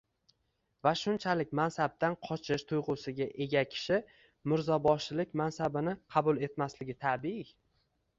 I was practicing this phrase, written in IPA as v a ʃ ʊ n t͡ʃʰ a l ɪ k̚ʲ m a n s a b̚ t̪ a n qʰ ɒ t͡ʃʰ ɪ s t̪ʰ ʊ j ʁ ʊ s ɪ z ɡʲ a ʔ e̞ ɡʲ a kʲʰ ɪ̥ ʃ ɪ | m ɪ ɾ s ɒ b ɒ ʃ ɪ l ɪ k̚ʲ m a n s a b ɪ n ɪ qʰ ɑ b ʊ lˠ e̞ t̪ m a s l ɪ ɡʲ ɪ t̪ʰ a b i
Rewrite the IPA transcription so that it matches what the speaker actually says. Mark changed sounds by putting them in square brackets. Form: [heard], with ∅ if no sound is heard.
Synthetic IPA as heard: v a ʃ ʊ n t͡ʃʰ a l ɪ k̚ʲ m a n s a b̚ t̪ a n qʰ ɒ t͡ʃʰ ɪ [ʃ] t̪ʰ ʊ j ʁ ʊ s ɪ [∅] ɡʲ a ʔ e̞ ɡʲ a kʲʰ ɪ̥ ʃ ɪ | m ɪ ɾ [z] ɒ b ɒ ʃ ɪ l ɪ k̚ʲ m a n s a b ɪ n ɪ qʰ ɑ b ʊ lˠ e̞ t̪ m a s l ɪ ɡʲ ɪ t̪ʰ a b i

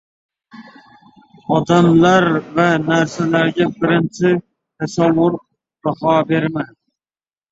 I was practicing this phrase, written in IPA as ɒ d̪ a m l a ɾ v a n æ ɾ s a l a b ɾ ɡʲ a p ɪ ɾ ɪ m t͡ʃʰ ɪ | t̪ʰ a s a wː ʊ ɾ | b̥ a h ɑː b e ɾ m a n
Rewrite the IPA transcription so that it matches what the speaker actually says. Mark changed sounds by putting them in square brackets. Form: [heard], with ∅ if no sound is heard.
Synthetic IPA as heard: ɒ d̪ a m l a ɾ v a n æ ɾ s a l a [∅] ɾ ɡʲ a [b] ɪ ɾ ɪ [n] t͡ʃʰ ɪ | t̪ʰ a s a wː ʊ ɾ | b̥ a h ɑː b e ɾ m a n

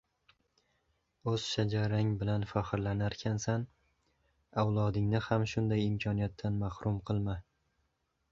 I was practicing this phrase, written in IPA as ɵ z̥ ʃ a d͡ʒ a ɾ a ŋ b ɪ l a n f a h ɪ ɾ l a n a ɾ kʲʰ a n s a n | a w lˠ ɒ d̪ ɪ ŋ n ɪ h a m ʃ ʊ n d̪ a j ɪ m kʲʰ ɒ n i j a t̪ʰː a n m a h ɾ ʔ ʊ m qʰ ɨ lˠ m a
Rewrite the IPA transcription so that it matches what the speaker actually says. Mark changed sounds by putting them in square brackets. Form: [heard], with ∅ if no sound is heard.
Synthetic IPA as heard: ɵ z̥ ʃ a d͡ʒ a ɾ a ŋ b ɪ l a n f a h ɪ ɾ l a n a ɾ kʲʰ a n s a n | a w lˠ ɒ d̪ ɪ ŋ n ɪ h a m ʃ ʊ n d̪ a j ɪ m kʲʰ ɒ n i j a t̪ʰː a n m a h ɾ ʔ ʊ m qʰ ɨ lˠ m a

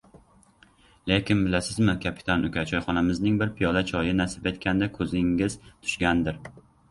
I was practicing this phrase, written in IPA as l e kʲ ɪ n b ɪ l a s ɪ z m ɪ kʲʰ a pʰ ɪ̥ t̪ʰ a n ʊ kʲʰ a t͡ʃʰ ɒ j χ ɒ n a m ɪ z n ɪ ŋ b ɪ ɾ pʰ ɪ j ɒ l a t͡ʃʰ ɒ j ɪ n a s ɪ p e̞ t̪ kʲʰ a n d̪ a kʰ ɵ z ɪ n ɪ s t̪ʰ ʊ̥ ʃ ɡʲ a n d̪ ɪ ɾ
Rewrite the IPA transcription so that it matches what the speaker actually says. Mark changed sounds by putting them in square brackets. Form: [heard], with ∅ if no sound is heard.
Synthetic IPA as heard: l e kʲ ɪ n b ɪ l a s ɪ z m ɪ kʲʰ a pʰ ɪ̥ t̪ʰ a n ʊ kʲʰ a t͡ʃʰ ɒ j χ ɒ n a m ɪ z n ɪ ŋ b ɪ ɾ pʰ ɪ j ɒ l a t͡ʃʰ ɒ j ɪ n a s ɪ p e̞ t̪ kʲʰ a n d̪ a kʰ ɵ z ɪ [ŋ] ɪ [z] t̪ʰ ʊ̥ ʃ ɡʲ a n d̪ ɪ ɾ

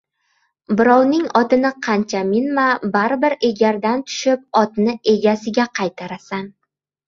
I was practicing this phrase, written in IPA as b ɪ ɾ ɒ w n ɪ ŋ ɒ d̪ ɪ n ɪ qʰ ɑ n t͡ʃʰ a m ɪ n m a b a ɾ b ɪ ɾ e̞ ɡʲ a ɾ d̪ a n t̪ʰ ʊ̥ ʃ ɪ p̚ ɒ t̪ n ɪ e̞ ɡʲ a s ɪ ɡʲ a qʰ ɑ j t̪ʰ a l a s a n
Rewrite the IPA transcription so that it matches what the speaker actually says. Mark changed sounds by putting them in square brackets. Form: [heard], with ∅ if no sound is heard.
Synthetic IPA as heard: b ɪ ɾ ɒ w n ɪ ŋ ɒ [t̪] ɪ n ɪ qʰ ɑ n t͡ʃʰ a m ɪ n m a b a ɾ b ɪ ɾ e̞ ɡʲ a ɾ d̪ a n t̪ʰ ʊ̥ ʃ ɪ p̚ ɒ t̪ n ɪ e̞ ɡʲ a s ɪ ɡʲ a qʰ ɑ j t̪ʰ a [ɾ] a s a n

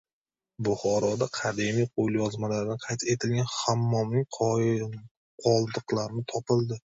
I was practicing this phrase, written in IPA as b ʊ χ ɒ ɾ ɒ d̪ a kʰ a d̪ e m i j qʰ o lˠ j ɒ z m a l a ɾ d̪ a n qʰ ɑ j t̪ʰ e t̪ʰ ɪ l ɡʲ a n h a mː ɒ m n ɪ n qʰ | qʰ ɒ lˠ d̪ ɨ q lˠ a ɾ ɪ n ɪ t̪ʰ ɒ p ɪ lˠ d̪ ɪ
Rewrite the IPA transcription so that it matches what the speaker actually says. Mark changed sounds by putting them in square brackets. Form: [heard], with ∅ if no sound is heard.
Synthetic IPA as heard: b ʊ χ ɒ ɾ ɒ d̪ a [qʰ] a d̪ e m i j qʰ o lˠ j ɒ z m a l a ɾ d̪ a n qʰ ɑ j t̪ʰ e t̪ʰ ɪ l ɡʲ a n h a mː ɒ m n ɪ [ŋ] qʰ | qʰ ɒ lˠ d̪ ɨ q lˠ a ɾ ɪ n ɪ t̪ʰ ɒ p ɪ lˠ d̪ ɪ

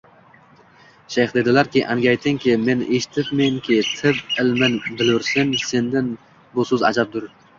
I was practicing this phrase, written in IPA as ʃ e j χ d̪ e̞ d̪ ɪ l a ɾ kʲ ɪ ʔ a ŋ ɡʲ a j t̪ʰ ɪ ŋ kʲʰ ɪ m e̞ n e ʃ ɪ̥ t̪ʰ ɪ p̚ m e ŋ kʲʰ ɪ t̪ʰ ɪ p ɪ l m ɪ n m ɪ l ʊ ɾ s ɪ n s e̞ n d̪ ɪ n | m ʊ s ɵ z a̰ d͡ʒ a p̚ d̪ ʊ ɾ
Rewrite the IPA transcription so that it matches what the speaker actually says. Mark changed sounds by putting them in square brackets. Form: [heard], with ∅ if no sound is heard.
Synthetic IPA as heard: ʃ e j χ d̪ e̞ d̪ ɪ l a ɾ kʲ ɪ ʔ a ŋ ɡʲ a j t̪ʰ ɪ ŋ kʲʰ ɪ m e̞ n e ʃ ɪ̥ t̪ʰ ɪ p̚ m e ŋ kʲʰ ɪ t̪ʰ ɪ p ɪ l m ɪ n [b] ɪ l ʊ ɾ s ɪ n s e̞ n d̪ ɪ n | [b] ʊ s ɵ z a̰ d͡ʒ a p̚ d̪ ʊ ɾ

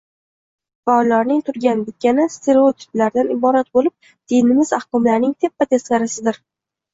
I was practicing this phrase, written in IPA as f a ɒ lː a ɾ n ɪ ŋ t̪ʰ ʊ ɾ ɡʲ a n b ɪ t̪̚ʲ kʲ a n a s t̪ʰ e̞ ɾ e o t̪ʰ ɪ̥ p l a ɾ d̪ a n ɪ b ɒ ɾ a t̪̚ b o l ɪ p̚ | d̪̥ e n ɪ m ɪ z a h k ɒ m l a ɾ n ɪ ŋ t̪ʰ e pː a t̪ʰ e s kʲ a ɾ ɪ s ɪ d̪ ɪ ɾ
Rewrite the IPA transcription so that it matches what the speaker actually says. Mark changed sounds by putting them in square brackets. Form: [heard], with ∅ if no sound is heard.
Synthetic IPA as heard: f a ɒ lː a ɾ n ɪ ŋ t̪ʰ ʊ ɾ ɡʲ a n b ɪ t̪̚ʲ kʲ a n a s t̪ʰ e̞ ɾ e o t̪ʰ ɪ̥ p l a ɾ d̪ a n ɪ b ɒ ɾ a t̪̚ b o l ɪ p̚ | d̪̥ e n ɪ m ɪ z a h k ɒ m l a ɾ n ɪ ŋ t̪ʰ e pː a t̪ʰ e s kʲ a ɾ ɪ s ɪ d̪ ɪ ɾ

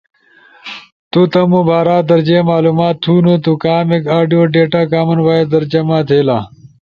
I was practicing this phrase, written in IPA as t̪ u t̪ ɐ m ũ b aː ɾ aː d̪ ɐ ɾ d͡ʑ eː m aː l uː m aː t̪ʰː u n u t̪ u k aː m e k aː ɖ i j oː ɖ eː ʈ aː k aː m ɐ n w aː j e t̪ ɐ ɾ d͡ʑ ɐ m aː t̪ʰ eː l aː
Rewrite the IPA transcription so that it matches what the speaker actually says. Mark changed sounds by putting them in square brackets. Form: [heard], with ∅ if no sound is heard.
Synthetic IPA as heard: t̪ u t̪ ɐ m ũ b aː ɾ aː d̪ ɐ ɾ d͡ʑ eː m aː l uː m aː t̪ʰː u n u t̪ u k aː m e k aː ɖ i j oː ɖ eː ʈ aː k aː m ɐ n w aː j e [d̪] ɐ ɾ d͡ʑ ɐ m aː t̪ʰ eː l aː

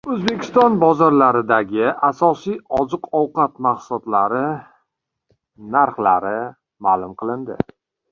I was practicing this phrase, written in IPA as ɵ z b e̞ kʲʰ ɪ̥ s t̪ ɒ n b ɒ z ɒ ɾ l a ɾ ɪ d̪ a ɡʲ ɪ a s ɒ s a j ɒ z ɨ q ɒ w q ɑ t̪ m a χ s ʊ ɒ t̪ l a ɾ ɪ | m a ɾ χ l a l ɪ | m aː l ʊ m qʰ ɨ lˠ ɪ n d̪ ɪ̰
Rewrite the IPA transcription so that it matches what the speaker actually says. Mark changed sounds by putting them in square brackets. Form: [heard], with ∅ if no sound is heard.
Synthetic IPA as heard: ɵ z b e̞ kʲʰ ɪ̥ s t̪ ɒ n b ɒ z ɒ ɾ l a ɾ ɪ d̪ a ɡʲ ɪ a s ɒ s [i] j ɒ z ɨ q ɒ w q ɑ t̪ m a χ s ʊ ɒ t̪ l a ɾ ɪ | [n] a ɾ χ l a [ɾ] ɪ | m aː l ʊ m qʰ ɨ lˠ ɪ n d̪ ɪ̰

